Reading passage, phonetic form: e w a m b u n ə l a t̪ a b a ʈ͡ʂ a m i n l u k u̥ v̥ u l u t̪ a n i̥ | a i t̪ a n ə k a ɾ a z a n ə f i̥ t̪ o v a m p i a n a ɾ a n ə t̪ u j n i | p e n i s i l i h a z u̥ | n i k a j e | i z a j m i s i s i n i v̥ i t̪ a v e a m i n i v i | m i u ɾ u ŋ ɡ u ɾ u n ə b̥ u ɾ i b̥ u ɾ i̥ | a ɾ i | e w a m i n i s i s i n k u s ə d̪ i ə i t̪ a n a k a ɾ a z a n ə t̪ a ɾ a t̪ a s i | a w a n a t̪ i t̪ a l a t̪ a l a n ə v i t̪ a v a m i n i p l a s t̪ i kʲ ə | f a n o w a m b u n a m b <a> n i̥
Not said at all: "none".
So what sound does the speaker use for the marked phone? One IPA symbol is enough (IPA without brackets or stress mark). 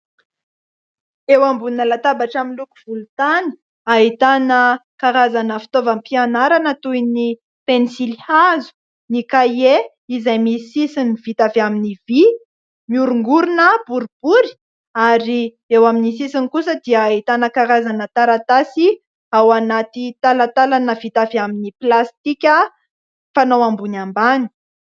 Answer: a